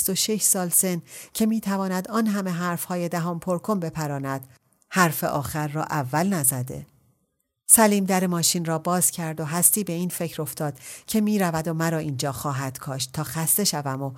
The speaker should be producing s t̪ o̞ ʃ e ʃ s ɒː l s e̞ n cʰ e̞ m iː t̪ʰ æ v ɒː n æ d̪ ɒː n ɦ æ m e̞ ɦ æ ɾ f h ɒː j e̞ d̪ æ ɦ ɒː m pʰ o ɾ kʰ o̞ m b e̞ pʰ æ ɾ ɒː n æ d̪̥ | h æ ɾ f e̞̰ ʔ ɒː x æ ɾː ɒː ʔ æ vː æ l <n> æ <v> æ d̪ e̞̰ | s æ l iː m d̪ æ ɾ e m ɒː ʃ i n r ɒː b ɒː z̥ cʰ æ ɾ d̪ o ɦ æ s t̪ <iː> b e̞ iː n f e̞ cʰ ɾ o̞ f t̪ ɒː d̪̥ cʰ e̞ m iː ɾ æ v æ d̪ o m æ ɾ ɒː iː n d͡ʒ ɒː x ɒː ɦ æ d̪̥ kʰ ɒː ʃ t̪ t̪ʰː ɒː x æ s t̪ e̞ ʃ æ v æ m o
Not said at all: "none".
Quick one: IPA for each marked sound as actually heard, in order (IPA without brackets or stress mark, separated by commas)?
n, z, iː